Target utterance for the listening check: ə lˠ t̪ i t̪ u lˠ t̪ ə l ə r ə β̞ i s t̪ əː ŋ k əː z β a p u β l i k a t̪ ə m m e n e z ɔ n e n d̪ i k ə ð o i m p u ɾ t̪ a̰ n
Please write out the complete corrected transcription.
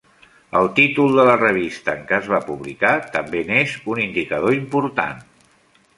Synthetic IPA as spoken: ə lˠ t̪ i t̪ u lˠ d̪ ə l ə r ə β̞ i s t̪ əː ŋ k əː z β a p u β l i k a t̪ ə m b e n e z u n i n d̪ i k ə ð o i m p u ɾ t̪ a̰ n